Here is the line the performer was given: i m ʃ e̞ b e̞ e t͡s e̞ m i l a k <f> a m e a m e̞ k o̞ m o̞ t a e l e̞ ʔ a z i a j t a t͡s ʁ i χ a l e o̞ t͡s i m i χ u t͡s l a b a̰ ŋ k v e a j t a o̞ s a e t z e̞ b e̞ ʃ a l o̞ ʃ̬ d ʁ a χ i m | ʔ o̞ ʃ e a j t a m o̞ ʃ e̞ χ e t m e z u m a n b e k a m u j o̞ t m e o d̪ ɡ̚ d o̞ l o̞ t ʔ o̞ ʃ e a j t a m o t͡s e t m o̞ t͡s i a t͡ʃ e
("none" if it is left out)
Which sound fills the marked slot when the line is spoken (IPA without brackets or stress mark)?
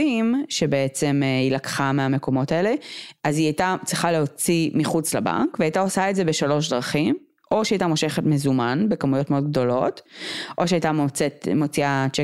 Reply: χ